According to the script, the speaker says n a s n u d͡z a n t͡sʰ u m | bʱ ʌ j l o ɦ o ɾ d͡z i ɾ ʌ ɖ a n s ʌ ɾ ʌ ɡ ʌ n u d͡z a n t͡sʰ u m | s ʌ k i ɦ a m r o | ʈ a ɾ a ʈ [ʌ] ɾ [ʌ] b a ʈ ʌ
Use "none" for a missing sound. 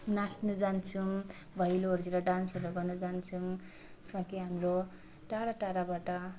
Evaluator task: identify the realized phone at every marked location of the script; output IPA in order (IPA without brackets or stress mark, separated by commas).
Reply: a, a